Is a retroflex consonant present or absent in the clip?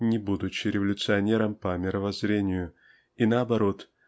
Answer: absent